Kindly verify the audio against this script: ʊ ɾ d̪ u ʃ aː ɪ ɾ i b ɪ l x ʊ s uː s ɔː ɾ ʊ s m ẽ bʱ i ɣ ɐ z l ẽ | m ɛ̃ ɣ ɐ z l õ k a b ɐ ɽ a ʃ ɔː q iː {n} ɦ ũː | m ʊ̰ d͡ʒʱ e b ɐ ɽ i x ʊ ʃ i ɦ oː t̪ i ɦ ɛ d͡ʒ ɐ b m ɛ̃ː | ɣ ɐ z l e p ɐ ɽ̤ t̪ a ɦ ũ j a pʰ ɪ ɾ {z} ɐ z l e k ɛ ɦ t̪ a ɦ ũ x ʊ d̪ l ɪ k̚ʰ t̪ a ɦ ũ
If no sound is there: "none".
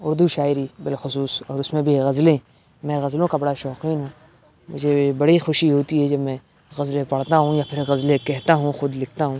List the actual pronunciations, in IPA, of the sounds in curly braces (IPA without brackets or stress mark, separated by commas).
n, ɣ